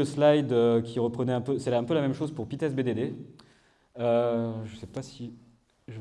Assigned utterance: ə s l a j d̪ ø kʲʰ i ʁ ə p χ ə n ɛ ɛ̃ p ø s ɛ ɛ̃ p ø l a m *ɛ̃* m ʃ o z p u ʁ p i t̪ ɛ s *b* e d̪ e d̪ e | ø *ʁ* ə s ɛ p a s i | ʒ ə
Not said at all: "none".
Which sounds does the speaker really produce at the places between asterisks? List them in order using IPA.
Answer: ɛ, b, ʒ

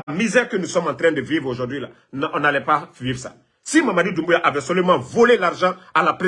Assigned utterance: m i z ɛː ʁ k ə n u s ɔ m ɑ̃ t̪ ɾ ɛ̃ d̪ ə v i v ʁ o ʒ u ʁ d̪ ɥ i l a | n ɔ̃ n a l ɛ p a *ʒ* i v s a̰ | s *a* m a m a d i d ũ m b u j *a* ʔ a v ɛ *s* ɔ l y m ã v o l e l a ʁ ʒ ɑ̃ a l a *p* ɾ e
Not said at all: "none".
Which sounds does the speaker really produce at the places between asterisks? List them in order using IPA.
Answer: v, i, a, s, p

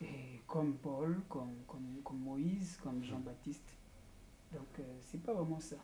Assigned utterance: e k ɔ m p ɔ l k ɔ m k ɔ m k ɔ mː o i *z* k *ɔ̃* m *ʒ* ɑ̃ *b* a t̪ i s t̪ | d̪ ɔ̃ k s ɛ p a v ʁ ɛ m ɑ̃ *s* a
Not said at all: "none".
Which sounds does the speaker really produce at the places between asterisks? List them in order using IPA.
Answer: z, ɔ, ʒ, b, s

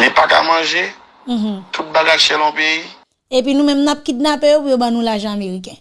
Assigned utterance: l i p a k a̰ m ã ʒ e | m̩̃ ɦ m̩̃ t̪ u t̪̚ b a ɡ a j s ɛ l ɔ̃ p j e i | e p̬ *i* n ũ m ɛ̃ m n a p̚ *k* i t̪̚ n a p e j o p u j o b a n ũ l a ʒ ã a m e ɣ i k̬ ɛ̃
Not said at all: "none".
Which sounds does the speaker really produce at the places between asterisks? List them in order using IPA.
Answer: i, k

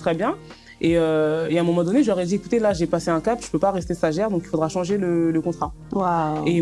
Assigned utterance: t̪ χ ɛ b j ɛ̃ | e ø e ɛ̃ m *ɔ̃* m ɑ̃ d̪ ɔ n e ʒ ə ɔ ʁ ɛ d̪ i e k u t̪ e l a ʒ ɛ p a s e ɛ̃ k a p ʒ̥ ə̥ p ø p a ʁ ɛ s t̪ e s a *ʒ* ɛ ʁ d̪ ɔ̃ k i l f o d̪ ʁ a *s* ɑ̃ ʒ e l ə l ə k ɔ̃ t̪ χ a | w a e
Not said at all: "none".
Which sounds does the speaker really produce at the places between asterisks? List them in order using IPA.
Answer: ɔ, ʒ, ʃ

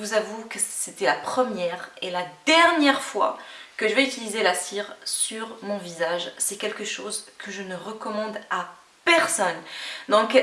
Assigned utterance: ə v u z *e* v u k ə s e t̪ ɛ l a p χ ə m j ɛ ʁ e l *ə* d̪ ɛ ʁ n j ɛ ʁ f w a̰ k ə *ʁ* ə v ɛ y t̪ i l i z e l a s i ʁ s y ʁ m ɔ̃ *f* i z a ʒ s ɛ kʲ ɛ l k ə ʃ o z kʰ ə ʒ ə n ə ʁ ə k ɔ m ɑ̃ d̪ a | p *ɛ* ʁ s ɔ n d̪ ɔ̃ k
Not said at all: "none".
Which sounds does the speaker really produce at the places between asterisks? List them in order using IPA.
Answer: a, a, ʒ, v, ɛ

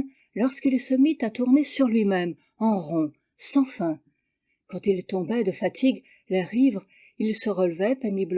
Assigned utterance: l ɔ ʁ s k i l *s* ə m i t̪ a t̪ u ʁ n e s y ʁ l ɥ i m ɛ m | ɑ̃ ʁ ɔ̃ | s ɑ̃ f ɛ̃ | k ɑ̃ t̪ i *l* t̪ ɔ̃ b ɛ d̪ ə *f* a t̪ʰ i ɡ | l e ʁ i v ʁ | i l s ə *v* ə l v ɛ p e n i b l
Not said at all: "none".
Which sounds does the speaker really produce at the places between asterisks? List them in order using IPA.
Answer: s, l, f, ʁ

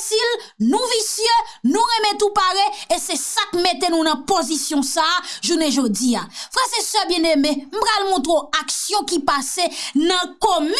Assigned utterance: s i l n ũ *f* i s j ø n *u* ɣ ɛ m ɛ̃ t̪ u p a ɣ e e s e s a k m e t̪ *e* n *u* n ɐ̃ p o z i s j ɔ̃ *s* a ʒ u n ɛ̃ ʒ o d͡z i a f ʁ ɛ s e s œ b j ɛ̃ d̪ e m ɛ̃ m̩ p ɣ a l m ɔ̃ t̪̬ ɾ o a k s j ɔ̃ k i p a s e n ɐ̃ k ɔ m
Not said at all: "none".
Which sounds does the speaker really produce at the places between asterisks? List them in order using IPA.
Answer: v, ũ, e, ũ, s

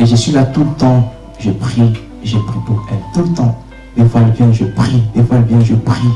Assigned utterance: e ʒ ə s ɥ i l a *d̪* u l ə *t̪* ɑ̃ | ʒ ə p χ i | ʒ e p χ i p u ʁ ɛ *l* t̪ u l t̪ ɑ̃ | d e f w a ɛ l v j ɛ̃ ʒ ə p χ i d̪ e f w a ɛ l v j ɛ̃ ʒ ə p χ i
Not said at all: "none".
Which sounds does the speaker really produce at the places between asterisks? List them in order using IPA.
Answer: t̪, t̪, l

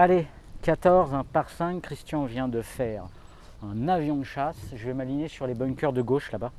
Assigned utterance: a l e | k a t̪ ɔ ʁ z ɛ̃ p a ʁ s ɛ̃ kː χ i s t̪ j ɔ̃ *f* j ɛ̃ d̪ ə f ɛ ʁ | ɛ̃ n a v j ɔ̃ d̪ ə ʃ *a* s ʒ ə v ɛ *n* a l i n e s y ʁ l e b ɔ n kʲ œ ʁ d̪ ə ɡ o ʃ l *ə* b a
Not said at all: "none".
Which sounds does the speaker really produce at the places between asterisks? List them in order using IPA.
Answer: v, a, m, a

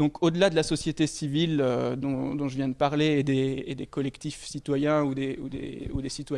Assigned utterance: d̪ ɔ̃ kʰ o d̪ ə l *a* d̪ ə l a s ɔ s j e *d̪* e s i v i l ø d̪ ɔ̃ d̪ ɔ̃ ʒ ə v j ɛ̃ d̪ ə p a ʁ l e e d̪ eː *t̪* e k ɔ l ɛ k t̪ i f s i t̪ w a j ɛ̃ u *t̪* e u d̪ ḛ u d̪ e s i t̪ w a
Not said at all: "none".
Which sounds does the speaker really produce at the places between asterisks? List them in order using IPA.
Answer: a, t̪, d̪, d̪

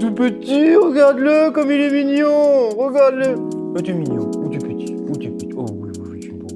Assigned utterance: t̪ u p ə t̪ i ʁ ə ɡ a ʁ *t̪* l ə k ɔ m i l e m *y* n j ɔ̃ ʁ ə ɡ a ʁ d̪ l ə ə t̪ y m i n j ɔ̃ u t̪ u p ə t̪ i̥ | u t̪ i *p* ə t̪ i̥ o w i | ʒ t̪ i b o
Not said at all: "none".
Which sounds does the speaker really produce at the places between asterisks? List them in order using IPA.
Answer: d̪, i, p

